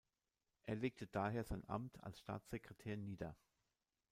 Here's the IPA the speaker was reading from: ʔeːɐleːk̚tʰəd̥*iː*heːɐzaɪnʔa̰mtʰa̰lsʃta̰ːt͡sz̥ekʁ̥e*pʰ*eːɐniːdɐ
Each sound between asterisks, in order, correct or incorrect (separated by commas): incorrect, incorrect